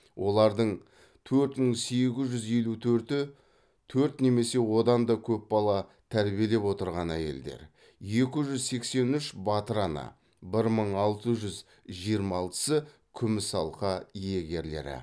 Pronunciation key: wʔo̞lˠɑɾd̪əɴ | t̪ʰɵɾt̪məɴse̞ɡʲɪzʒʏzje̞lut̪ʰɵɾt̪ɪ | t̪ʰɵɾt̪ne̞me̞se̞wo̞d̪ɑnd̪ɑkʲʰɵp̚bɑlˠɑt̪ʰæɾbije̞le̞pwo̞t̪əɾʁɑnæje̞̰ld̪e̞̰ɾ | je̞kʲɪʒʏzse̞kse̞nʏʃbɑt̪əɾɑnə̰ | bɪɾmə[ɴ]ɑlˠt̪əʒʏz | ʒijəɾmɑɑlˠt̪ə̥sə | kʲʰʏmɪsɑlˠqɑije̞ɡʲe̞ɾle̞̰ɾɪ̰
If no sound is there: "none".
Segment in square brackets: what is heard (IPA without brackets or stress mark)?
ɴ